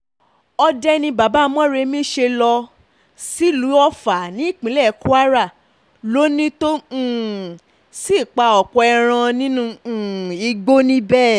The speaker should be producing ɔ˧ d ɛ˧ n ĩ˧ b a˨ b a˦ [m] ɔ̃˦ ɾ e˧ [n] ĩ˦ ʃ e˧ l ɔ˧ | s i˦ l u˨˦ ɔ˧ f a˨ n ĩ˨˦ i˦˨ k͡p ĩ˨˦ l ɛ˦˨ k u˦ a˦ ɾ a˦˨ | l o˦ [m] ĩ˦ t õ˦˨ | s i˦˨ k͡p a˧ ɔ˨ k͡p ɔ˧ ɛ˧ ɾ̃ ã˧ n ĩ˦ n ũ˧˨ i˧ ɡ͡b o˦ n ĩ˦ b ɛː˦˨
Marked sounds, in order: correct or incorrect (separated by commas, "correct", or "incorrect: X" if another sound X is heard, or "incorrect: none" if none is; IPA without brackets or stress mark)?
correct, incorrect: m, incorrect: n